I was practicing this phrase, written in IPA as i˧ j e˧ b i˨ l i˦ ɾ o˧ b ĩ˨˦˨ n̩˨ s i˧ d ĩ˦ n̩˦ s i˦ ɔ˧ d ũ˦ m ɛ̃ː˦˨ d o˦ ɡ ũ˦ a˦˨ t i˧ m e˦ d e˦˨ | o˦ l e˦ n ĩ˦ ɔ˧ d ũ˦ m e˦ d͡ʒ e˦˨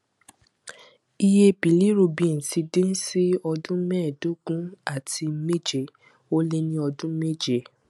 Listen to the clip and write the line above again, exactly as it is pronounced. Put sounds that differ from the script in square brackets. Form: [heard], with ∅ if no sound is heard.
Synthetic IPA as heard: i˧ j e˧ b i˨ l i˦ ɾ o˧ b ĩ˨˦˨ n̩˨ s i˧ d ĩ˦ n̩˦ s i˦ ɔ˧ d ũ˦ m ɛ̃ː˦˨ d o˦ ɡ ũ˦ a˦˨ t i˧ m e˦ [d͡ʒ] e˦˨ | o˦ l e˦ n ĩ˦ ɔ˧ d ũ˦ m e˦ d͡ʒ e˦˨

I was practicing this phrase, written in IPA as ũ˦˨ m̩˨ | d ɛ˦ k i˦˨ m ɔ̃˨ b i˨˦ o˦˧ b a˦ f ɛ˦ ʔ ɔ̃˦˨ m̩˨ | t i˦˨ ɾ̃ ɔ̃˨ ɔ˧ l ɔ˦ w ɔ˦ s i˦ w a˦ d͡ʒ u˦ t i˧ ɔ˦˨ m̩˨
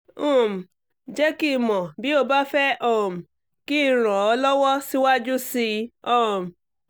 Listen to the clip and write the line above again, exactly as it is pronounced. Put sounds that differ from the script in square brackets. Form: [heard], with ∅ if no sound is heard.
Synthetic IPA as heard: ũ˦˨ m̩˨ | [d͡ʒ] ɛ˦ k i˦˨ m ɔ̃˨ b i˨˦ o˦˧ b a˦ f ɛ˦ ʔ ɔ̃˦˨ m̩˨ | [k] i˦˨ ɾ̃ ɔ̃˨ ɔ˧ l ɔ˦ w ɔ˦ s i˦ w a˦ d͡ʒ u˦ [s] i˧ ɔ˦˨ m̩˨

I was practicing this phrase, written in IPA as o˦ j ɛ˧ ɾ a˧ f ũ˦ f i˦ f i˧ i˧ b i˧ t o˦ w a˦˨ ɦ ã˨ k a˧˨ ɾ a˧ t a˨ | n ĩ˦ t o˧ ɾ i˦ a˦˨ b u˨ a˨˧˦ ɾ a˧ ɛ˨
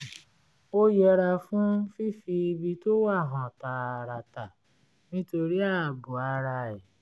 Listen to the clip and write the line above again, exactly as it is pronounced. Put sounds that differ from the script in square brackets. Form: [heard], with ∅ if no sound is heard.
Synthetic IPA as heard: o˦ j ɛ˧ ɾ a˧ f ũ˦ f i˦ f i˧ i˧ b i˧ t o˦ w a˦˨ ɦ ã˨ [t] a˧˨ ɾ a˧ t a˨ | n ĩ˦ t o˧ ɾ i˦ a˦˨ b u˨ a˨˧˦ ɾ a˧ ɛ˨

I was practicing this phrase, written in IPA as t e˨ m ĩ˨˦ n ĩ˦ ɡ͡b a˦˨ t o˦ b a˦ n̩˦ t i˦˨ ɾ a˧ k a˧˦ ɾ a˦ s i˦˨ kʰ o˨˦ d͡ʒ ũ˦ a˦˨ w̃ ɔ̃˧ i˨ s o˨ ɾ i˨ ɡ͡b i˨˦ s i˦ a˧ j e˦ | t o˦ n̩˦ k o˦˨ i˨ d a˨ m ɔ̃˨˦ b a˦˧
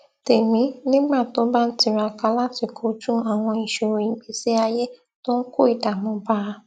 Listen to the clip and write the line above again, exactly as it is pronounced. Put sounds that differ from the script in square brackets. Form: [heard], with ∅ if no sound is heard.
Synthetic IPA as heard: t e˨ m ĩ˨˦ n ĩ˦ ɡ͡b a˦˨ t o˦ b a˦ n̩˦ t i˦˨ ɾ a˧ k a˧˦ [l] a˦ [t] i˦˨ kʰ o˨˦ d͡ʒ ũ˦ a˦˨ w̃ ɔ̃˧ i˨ [ʃ] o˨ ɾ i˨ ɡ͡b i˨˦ s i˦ a˧ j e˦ | t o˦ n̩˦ k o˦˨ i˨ d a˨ m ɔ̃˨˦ b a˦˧

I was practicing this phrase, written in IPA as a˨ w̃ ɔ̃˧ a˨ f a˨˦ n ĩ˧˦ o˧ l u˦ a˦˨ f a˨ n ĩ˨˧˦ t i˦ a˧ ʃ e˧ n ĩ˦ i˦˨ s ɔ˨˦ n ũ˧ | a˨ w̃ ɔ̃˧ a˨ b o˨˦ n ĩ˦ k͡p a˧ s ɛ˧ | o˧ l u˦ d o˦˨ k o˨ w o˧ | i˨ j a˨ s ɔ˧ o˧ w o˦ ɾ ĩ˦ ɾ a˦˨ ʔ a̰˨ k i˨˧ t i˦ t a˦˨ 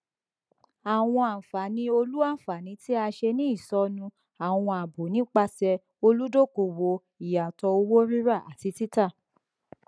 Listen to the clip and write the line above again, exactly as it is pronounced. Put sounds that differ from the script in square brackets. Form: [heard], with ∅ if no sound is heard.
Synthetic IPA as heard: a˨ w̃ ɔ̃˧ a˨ f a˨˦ n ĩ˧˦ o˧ l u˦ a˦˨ f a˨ n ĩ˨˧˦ t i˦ a˧ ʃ e˧ n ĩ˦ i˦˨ s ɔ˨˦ n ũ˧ | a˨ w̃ ɔ̃˧ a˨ b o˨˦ n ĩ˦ k͡p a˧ s ɛ˧ | o˧ l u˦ d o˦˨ k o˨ w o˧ | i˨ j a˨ [t] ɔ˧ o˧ w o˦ ɾ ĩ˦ ɾ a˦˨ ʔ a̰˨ [t] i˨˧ t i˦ t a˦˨

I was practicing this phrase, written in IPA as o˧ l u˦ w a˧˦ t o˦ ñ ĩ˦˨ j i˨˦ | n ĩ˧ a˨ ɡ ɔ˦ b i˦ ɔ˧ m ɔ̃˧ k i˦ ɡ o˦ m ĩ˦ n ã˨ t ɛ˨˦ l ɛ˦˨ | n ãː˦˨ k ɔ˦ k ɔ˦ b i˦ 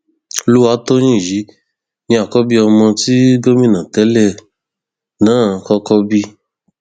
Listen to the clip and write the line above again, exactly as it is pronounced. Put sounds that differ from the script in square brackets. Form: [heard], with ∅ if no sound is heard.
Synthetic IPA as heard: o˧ l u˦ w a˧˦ t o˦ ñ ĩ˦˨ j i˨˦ | n ĩ˧ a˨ [k] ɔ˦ b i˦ ɔ˧ m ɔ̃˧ [t] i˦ ɡ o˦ m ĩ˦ n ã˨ t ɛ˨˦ l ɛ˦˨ | n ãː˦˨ k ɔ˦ k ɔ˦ b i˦

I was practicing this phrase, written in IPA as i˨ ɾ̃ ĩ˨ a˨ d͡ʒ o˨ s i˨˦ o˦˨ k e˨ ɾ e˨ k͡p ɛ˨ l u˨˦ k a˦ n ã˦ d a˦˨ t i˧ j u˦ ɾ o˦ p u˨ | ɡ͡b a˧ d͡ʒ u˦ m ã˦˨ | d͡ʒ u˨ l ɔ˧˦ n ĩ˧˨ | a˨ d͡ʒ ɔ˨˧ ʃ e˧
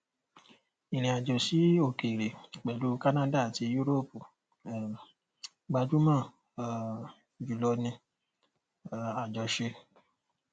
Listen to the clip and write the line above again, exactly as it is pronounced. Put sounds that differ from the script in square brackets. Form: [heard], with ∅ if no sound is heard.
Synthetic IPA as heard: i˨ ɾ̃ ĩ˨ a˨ d͡ʒ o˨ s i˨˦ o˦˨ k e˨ ɾ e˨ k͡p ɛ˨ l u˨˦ k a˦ n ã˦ d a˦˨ t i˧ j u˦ ɾ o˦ p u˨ | ɡ͡b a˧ d͡ʒ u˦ m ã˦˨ | d͡ʒ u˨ l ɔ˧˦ n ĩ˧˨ | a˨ d͡ʒ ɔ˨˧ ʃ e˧

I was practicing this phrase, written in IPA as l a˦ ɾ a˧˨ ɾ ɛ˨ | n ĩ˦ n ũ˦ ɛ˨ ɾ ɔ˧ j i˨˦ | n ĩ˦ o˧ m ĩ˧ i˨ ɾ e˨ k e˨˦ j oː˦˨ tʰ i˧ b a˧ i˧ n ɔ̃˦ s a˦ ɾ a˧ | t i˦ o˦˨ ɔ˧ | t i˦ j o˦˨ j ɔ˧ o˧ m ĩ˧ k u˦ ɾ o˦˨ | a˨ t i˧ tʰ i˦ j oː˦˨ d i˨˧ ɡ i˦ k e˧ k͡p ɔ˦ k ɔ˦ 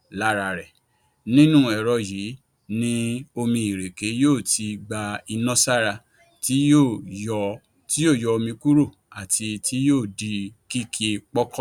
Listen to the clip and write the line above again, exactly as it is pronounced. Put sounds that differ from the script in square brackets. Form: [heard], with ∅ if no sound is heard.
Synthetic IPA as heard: l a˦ ɾ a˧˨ ɾ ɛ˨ | n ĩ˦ n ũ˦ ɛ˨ ɾ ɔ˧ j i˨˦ | n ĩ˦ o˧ m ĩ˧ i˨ ɾ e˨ k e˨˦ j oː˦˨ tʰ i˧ [ɡ͡b] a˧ i˧ n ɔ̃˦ s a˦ ɾ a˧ | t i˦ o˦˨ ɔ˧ | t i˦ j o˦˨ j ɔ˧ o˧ m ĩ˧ k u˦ ɾ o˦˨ | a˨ t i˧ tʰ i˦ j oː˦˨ d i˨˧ [k] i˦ k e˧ k͡p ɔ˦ k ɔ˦

